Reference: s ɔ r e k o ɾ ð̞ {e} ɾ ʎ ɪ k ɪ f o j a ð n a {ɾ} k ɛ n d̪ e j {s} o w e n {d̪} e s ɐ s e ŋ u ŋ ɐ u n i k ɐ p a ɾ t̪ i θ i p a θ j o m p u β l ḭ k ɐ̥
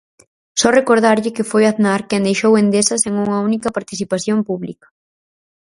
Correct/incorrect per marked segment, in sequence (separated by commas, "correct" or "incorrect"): incorrect, correct, incorrect, correct